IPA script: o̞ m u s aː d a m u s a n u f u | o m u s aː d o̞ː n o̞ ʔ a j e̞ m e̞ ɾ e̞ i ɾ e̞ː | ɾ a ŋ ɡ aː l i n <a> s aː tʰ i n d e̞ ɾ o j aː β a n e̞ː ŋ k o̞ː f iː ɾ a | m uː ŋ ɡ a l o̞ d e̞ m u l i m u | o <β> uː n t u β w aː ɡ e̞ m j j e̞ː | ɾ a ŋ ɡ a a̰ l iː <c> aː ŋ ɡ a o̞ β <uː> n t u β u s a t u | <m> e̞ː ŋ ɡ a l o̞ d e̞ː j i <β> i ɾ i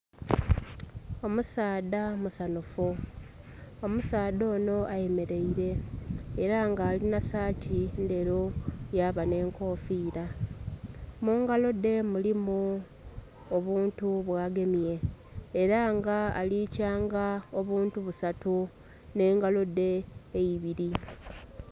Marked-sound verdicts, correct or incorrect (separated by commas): correct, correct, correct, correct, incorrect, correct